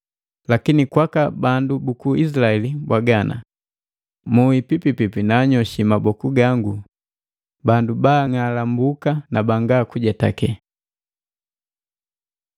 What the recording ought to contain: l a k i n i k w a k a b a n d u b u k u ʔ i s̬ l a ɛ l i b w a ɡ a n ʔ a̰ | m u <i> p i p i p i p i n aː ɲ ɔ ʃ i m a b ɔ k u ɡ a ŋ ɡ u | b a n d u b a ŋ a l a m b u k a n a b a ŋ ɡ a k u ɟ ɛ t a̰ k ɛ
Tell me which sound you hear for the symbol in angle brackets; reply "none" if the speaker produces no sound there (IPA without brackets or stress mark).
i